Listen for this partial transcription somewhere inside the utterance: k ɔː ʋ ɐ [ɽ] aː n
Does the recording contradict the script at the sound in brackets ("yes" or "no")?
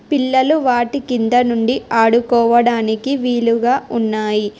no